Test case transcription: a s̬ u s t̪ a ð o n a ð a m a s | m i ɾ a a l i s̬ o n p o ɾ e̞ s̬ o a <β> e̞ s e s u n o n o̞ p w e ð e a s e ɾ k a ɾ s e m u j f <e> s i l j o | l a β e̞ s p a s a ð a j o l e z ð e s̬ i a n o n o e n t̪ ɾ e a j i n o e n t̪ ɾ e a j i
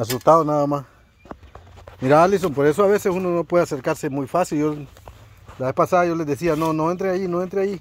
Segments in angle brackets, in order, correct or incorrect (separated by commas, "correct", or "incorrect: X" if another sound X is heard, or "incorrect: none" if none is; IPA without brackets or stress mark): correct, incorrect: a